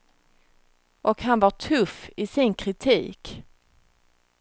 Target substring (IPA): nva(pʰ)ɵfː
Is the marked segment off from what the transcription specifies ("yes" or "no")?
yes